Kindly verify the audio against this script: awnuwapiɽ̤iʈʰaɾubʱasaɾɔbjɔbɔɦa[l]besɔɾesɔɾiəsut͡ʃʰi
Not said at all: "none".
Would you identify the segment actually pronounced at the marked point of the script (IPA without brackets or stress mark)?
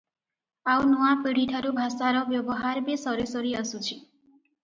ɾ